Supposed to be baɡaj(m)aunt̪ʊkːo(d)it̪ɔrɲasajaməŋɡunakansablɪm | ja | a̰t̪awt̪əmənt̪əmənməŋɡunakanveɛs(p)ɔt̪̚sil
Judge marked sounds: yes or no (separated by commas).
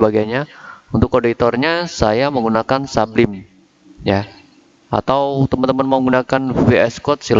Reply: no, yes, no